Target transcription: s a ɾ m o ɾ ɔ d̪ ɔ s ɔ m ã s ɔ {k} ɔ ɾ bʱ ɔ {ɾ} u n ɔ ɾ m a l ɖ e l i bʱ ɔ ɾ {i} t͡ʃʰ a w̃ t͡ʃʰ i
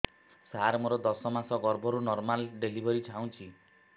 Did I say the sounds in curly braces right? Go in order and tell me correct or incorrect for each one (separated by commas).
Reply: incorrect, correct, correct